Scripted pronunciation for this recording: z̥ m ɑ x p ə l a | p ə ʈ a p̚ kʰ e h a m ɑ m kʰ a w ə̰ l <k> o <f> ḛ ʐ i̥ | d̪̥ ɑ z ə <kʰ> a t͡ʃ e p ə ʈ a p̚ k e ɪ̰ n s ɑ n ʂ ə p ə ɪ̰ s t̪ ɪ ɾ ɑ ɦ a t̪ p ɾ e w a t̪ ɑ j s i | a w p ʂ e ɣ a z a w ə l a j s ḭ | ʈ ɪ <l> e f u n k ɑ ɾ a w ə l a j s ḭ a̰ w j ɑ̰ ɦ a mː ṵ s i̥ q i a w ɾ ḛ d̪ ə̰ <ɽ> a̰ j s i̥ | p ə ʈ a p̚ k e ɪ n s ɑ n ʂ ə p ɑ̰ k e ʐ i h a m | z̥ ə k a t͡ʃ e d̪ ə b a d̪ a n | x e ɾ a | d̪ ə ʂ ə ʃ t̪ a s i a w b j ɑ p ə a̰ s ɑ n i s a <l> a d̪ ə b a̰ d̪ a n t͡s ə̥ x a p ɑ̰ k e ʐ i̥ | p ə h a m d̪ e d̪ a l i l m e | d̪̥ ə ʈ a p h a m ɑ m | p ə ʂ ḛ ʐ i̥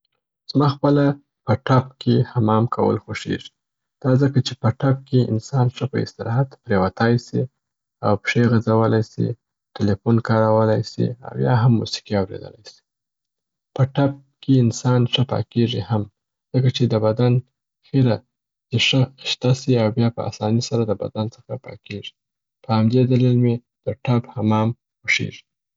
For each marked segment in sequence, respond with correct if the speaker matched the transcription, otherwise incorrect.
incorrect: x, incorrect: ʂ, incorrect: k, correct, incorrect: l, incorrect: ɾ

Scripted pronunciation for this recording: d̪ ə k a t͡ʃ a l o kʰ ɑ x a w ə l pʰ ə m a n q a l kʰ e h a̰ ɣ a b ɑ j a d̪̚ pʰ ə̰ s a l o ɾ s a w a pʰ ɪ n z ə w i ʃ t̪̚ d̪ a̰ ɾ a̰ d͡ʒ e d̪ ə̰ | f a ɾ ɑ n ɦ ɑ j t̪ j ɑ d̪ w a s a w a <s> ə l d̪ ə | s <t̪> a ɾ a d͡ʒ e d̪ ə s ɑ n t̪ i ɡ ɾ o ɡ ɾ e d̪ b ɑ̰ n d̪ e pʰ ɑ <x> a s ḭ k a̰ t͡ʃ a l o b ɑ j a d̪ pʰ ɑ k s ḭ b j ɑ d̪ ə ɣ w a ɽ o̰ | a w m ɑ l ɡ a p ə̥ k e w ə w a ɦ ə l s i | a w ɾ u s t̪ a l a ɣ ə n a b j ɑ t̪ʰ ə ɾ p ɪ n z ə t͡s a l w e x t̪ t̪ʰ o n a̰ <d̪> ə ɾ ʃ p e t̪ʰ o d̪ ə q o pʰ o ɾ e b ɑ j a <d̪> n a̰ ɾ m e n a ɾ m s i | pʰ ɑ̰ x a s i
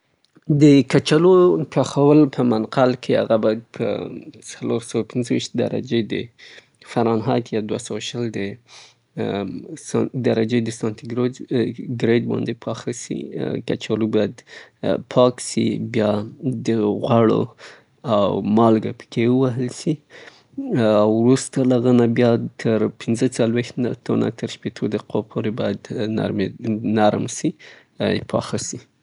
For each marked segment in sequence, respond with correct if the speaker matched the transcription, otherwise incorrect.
incorrect: ʃ, incorrect: d̪, correct, incorrect: t̪, correct

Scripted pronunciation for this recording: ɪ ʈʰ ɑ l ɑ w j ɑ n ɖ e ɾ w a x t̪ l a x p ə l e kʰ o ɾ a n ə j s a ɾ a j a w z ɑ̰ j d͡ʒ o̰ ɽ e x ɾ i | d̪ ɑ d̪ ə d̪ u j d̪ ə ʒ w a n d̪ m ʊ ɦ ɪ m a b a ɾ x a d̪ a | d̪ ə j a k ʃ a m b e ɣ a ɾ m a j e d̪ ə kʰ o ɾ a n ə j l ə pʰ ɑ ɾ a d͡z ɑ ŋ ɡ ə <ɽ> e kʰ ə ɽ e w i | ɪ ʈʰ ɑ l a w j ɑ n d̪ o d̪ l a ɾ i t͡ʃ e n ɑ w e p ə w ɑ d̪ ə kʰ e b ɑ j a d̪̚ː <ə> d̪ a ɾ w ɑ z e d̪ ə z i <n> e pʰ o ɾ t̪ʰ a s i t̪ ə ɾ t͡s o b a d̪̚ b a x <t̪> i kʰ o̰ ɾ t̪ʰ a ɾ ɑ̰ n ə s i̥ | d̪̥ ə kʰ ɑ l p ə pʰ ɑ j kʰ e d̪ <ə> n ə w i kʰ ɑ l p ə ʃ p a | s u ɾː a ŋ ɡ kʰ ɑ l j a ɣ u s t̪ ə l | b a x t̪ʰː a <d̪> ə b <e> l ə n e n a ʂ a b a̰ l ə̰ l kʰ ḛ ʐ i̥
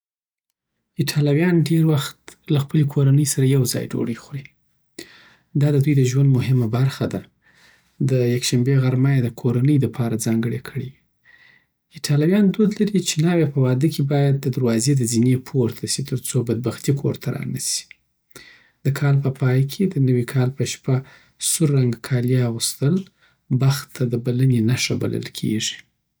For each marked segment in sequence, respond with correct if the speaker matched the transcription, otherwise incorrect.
correct, correct, correct, correct, correct, correct, incorrect: a

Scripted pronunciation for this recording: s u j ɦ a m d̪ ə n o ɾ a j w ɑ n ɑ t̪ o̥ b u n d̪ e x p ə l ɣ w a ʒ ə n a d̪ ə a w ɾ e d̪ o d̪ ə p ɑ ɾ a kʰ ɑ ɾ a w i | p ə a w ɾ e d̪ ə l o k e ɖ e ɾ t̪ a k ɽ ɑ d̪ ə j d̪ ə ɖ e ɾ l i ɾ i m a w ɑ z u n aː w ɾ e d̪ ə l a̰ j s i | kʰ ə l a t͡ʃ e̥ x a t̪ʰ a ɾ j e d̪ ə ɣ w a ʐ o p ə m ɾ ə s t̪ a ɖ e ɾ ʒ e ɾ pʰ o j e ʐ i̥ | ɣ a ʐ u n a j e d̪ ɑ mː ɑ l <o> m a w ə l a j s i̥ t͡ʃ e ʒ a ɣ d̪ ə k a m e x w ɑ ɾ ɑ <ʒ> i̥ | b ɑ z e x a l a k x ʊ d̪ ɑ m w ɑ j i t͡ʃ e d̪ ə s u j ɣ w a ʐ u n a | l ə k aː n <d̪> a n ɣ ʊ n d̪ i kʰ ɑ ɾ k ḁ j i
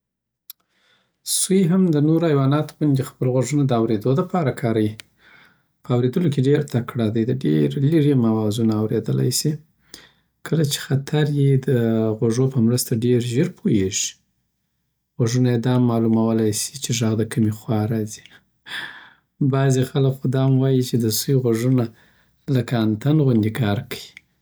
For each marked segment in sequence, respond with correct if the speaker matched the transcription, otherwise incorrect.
incorrect: u, incorrect: z, incorrect: t̪

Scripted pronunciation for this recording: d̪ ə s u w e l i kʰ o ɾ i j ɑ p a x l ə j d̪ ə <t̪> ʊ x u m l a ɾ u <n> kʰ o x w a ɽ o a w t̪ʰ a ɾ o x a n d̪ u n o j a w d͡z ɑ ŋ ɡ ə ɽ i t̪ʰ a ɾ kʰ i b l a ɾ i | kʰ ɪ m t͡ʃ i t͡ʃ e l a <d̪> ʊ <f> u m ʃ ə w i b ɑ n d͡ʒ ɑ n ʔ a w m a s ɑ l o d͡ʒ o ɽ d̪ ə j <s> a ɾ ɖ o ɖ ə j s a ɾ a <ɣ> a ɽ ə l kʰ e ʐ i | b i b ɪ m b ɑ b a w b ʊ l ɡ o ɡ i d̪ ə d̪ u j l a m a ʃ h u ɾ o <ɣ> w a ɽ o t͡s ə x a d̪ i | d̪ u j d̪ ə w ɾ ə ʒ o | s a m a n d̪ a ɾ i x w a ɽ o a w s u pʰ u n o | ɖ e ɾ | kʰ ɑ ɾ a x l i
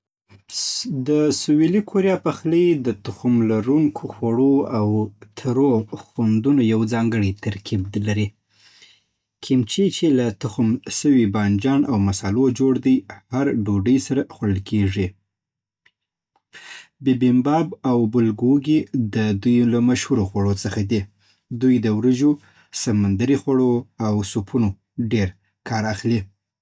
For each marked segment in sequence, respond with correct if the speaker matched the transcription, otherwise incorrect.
correct, incorrect: ŋ, incorrect: t̪, incorrect: x, incorrect: h, incorrect: x, incorrect: x

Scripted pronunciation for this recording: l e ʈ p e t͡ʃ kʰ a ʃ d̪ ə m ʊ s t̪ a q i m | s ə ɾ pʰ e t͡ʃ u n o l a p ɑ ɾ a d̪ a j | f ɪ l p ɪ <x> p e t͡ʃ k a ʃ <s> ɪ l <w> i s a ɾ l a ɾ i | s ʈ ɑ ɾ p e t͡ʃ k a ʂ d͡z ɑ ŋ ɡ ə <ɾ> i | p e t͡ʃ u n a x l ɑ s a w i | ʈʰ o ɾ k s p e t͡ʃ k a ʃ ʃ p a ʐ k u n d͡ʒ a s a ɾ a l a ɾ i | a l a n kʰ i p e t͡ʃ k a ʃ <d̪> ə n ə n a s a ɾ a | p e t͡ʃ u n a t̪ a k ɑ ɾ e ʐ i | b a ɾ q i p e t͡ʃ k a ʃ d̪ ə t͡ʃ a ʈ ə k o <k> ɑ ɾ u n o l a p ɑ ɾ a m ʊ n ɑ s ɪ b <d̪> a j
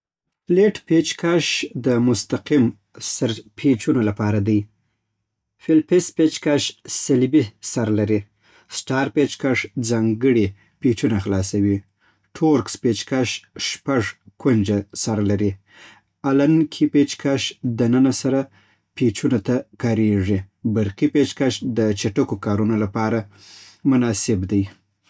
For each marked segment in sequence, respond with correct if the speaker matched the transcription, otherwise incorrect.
incorrect: s, correct, incorrect: b, incorrect: ɽ, correct, correct, correct

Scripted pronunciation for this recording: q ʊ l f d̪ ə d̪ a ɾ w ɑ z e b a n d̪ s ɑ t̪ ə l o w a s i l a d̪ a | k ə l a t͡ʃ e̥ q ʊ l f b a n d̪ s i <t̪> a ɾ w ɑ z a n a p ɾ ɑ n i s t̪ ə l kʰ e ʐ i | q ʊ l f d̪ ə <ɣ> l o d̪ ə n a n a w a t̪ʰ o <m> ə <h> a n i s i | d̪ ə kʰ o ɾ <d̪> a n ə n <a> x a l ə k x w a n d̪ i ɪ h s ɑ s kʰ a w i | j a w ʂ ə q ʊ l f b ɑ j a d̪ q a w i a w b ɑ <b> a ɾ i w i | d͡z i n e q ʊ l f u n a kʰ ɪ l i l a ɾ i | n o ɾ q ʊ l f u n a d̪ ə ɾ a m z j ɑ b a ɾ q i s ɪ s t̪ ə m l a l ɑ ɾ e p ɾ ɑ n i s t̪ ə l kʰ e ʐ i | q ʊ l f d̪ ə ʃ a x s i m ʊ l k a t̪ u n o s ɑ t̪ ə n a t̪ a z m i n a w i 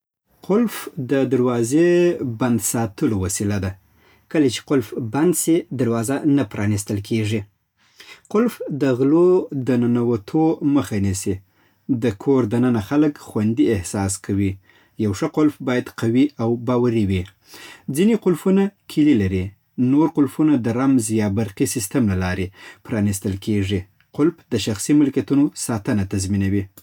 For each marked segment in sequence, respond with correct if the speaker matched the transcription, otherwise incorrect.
incorrect: d̪, correct, correct, incorrect: x, correct, correct, incorrect: w

